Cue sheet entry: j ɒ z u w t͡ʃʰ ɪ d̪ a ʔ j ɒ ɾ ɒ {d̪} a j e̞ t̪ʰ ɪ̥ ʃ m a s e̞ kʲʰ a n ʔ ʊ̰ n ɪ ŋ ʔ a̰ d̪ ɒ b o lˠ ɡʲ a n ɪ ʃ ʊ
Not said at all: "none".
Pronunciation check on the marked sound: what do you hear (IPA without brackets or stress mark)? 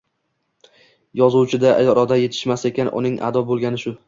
d̪